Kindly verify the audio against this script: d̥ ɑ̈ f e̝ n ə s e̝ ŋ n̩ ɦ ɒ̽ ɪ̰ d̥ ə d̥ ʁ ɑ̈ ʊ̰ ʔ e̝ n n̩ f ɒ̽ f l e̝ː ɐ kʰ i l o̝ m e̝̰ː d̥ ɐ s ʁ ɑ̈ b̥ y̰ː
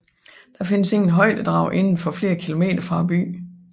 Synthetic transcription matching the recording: d̥ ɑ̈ f e̝ n ə s e̝ ŋ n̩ ɦ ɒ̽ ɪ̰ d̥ ə d̥ ʁ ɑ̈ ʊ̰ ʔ e̝ n n̩ f ɒ̽ f l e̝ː ɐ kʰ i l o̝ m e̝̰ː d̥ ɐ f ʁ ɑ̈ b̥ y̰ː